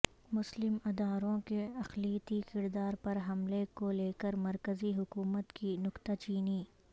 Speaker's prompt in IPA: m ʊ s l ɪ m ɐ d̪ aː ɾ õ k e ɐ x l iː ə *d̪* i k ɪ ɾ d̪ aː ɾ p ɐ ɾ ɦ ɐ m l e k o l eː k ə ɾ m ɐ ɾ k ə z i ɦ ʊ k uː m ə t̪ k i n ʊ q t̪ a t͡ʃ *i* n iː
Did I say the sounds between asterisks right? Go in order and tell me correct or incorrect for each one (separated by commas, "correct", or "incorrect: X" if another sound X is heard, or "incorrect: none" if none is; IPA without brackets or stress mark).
incorrect: t̪, incorrect: iː